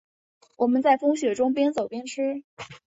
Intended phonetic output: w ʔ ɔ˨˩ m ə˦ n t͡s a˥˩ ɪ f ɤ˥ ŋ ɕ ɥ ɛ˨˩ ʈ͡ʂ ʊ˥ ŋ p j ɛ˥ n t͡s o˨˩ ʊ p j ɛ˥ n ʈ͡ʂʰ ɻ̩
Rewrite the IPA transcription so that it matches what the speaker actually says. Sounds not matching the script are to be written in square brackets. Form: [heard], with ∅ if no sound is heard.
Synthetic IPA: w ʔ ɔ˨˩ m ə˦ n t͡s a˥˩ ɪ f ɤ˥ ŋ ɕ ɥ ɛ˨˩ ʈ͡ʂ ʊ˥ ŋ p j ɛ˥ n t͡s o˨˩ ʊ p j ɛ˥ n ʈ͡ʂʰ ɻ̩